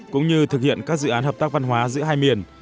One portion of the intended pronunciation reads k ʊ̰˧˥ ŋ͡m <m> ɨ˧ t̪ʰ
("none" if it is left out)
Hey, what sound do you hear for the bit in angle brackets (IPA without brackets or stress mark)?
ɲ